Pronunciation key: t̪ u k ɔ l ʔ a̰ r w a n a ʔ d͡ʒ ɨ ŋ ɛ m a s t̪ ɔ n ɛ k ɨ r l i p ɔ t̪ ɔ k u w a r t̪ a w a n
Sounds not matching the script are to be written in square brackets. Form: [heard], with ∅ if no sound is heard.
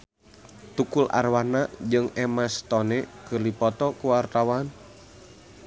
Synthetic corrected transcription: t̪ u k [u] l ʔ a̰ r w a n a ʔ d͡ʒ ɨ ŋ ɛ m a s t̪ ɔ n ɛ k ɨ r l i p ɔ t̪ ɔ k u w a r t̪ a w a n

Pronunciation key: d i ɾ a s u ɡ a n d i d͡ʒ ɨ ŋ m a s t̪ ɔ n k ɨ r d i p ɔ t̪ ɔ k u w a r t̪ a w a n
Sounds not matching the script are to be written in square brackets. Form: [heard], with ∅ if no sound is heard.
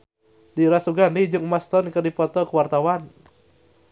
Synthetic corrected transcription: d i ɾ a s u ɡ a n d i d͡ʒ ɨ ŋ m a s t̪ ɔ n k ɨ r d i p ɔ t̪ ɔ k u w a r t̪ a w a n

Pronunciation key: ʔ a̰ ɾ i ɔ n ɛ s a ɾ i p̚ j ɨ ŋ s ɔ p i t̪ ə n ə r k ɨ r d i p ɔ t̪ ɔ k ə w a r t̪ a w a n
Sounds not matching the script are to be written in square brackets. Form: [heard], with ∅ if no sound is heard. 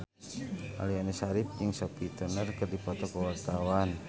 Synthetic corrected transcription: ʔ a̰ [l] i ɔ n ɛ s a ɾ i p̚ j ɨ ŋ s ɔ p i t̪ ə n ə r k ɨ r d i p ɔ t̪ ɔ k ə w a r t̪ a w a n

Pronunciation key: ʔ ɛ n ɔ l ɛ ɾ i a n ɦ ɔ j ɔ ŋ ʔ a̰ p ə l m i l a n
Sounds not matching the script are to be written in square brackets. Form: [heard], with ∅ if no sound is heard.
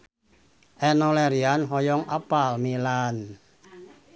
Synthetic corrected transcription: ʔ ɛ n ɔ l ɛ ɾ i a n ɦ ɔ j ɔ ŋ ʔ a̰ p [a] l m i l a n

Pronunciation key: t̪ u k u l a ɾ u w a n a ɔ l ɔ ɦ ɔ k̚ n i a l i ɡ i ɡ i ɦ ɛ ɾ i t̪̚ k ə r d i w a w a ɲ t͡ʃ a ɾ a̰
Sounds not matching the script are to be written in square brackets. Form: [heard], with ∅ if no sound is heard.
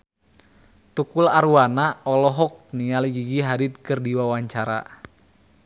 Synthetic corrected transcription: t̪ u k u l a ɾ u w a n a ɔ l ɔ ɦ ɔ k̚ n i a l i ɡ i ɡ i ɦ [a] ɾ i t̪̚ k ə r d i w a w a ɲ t͡ʃ a ɾ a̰

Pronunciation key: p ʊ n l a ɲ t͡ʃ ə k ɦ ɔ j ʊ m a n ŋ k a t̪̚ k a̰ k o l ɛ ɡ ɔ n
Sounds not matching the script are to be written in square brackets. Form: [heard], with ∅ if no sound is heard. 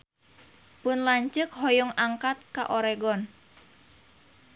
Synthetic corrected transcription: p ʊ n l a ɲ t͡ʃ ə k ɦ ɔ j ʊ [ŋ] a [∅] ŋ k a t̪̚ k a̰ [ʔ] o [ɾ] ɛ ɡ ɔ n

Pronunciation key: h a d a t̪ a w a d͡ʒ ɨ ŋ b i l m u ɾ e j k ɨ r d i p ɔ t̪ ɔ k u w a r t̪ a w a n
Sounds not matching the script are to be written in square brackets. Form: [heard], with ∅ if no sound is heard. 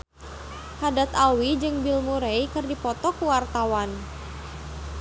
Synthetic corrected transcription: h a d a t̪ a w [i] d͡ʒ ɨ ŋ b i l m u ɾ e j k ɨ r d i p ɔ t̪ ɔ k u w a r t̪ a w a n

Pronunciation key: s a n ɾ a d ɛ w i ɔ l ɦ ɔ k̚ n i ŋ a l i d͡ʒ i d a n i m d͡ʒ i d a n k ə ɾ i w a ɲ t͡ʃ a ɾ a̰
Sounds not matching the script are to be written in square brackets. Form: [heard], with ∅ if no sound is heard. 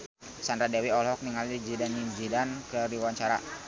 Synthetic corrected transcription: s a n ɾ a d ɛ w i ɔ l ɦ ɔ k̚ n i ŋ a l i d͡ʒ i d a n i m d͡ʒ i d a n k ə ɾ i w a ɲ t͡ʃ a ɾ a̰

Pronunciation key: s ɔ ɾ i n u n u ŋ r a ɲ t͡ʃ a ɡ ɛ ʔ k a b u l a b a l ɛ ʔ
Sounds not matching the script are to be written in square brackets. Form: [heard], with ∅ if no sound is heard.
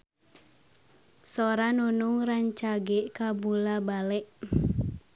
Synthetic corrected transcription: s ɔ ɾ [a] n u n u ŋ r a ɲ t͡ʃ a ɡ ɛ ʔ k a b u l a b a l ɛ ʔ

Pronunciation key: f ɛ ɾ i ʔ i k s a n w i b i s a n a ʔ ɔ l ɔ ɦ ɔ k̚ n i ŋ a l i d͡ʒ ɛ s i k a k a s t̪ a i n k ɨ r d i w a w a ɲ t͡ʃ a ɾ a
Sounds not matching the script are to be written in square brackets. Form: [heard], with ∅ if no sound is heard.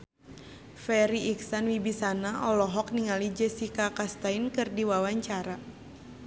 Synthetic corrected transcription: f ɛ ɾ i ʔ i k s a n w i b i s a n a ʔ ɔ l ɔ ɦ ɔ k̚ n i ŋ a l i d͡ʒ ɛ s i k a k a s t̪ a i n k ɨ r d i w a w a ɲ t͡ʃ a ɾ a

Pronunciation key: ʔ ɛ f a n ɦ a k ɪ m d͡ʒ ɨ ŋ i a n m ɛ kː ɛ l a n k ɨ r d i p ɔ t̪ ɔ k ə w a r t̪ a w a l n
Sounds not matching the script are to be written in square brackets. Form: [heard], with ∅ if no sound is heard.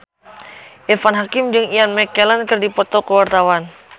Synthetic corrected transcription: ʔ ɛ f a n ɦ a k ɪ m d͡ʒ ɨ ŋ i a n m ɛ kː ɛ l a n k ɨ r d i p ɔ t̪ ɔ k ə w a r t̪ a w a [∅] n

